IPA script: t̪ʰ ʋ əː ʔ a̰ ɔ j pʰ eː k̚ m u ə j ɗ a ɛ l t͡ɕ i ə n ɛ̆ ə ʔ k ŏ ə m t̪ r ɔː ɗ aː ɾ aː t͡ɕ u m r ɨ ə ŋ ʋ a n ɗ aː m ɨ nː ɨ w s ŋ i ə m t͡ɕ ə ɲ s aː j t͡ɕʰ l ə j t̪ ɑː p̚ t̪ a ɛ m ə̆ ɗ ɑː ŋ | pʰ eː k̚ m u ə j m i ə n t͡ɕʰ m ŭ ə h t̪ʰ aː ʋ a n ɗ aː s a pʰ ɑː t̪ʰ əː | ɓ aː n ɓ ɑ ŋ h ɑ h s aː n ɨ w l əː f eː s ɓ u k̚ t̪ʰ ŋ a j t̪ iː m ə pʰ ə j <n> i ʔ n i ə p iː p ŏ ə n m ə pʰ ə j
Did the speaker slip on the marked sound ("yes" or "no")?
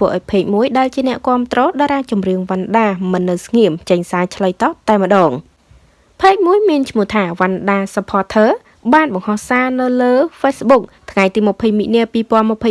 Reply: yes